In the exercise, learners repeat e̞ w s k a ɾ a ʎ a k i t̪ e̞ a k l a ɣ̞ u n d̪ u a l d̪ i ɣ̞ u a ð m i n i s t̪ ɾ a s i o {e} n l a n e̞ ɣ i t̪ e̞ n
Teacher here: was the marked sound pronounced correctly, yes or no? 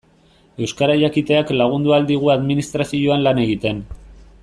no